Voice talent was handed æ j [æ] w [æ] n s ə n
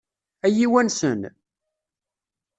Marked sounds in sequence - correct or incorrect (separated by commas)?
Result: incorrect, correct